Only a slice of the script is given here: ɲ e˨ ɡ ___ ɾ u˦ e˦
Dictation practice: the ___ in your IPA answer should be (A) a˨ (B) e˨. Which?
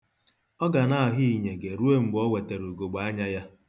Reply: B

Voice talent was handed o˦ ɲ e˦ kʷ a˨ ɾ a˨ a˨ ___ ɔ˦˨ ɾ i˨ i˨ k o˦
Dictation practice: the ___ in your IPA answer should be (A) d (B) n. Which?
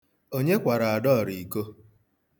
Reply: A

